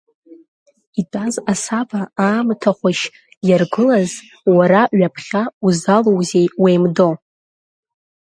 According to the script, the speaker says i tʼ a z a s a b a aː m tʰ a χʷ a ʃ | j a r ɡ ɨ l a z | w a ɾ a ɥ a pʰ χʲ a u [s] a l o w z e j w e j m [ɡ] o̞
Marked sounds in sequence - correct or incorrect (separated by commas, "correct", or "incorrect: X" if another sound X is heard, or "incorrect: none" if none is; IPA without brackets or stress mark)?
incorrect: z, incorrect: d